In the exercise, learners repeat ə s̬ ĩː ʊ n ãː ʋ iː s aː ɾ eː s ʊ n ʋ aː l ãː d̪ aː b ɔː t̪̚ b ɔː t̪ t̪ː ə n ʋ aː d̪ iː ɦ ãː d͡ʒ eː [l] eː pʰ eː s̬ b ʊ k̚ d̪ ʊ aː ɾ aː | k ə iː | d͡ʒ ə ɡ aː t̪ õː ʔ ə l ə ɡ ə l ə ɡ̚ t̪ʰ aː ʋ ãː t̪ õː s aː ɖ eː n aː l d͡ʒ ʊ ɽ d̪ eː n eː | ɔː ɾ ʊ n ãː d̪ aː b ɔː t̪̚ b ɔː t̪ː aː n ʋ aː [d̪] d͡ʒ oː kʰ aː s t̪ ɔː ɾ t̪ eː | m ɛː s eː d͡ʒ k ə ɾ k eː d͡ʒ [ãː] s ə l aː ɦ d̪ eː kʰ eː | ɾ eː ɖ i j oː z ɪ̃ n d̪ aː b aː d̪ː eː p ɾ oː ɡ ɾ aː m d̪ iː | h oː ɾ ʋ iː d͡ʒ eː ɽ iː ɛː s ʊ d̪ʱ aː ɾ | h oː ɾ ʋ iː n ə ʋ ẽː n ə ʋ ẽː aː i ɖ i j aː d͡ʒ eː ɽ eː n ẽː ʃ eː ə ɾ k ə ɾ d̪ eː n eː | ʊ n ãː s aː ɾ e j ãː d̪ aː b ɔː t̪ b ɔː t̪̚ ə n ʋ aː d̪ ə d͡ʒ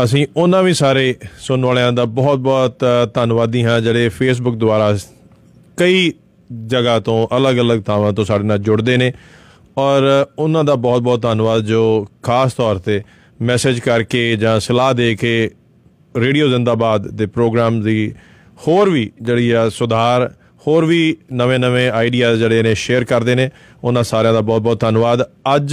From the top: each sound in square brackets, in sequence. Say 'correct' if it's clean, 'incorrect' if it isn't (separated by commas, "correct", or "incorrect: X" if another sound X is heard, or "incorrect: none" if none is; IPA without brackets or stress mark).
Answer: incorrect: ɽ, correct, correct